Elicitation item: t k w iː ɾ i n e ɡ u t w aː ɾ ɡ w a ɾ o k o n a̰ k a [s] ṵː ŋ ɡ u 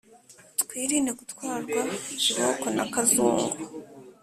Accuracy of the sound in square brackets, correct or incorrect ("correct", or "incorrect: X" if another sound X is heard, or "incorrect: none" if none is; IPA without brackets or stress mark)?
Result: incorrect: z